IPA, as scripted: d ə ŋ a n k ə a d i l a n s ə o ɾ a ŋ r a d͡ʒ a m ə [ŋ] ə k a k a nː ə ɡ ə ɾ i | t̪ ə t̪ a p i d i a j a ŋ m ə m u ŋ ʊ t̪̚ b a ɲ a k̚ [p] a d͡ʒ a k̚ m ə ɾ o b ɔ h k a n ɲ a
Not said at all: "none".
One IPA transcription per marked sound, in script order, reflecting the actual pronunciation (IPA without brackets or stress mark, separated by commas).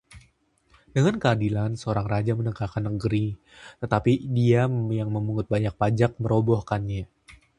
n, p